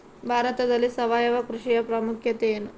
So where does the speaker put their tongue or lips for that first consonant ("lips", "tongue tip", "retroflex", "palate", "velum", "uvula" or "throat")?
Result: lips